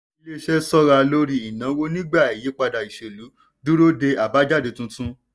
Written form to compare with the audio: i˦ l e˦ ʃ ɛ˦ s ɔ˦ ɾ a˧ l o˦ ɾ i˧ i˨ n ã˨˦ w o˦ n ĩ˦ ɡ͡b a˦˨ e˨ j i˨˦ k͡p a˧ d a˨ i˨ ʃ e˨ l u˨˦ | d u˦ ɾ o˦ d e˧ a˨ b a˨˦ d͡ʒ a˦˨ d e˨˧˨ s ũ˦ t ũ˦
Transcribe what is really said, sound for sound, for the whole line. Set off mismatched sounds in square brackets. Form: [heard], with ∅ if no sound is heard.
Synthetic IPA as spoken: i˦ l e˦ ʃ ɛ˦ s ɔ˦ ɾ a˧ l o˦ ɾ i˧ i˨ n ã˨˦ w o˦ n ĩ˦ ɡ͡b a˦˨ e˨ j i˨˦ k͡p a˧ d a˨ i˨ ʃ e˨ l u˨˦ | d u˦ ɾ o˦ d e˧ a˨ b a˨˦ d͡ʒ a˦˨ d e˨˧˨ [t] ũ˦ t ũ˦